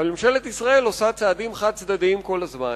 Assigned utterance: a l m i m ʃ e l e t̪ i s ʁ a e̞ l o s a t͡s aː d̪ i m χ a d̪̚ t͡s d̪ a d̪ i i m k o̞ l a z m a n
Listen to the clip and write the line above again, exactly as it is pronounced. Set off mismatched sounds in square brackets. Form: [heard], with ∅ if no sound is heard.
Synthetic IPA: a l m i m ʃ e l e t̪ i s ʁ a e̞ l o s a t͡s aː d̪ i m χ a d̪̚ t͡s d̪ a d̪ i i m k o̞ l a z m a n